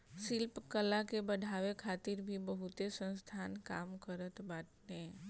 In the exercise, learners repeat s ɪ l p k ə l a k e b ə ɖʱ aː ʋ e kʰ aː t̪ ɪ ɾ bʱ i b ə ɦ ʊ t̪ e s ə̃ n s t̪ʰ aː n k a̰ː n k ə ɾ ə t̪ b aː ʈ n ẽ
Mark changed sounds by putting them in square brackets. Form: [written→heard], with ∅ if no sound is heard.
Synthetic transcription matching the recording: s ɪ l p k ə l a k e b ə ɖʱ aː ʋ e kʰ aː t̪ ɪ ɾ bʱ i b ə ɦ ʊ t̪ e s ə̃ n s t̪ʰ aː n k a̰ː [n→m] k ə ɾ ə t̪ b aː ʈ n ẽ